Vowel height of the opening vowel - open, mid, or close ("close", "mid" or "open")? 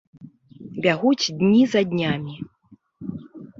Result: open